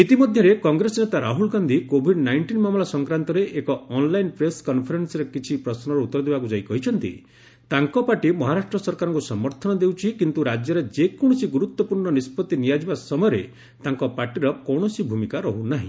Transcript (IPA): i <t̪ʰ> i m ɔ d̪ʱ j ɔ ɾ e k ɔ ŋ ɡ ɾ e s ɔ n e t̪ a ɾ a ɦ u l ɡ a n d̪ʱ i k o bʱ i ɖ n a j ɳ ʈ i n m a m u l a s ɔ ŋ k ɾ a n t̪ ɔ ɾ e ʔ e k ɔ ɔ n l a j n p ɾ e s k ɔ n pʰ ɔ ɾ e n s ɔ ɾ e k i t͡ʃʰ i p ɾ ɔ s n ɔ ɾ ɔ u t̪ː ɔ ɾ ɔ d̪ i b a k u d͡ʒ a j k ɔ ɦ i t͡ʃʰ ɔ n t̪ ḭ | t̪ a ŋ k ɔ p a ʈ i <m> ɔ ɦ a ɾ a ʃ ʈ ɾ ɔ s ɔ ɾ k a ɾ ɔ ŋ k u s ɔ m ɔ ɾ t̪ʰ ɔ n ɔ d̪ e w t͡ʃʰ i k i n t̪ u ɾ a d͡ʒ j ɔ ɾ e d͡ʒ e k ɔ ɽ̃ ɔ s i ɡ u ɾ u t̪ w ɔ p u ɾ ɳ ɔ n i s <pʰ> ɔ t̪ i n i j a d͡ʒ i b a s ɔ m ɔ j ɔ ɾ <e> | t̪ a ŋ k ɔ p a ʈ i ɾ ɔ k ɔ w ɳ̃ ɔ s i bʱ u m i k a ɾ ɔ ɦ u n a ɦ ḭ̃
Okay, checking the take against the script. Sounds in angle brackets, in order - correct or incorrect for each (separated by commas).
incorrect, correct, incorrect, correct